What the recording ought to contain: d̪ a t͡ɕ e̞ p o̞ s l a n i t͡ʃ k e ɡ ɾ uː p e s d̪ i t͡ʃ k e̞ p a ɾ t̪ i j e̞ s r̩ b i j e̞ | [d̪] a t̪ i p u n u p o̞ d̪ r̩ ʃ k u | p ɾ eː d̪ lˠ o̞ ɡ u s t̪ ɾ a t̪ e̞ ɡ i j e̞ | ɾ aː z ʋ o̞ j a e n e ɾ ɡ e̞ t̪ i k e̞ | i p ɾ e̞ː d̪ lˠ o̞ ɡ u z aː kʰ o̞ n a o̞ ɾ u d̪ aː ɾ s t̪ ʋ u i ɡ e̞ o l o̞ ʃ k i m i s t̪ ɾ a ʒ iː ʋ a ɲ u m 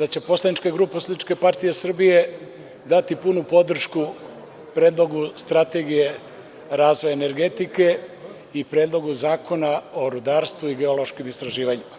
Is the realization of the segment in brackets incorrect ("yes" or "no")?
no